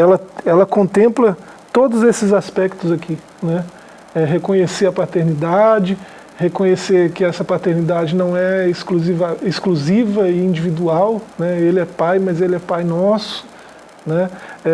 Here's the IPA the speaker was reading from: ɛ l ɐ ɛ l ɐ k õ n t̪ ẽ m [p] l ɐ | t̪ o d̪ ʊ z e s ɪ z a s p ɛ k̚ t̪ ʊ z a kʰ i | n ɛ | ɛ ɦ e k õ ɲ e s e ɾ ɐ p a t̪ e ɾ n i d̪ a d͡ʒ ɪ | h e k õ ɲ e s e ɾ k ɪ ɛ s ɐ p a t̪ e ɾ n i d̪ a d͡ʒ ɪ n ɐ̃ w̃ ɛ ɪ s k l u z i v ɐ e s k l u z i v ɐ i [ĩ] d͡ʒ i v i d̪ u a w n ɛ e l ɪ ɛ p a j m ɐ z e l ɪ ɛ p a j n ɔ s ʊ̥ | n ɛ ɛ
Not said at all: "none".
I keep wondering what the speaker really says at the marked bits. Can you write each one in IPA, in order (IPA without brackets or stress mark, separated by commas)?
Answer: p, ĩ